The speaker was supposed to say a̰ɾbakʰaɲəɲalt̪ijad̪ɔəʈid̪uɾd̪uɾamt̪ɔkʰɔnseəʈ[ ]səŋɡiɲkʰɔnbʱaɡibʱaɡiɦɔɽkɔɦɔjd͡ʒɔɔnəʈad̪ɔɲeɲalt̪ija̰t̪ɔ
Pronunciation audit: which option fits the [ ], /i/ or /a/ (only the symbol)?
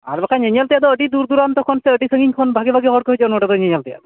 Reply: i